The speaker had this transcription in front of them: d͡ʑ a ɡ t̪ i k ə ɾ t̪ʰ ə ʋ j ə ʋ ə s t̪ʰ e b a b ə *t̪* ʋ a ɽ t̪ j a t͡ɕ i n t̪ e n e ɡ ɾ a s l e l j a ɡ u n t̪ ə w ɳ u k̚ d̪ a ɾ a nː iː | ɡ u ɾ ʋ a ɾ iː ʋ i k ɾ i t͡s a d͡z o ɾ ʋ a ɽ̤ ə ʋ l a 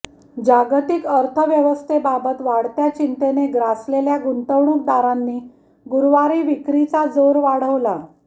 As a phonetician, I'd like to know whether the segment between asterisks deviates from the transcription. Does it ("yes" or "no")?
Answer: no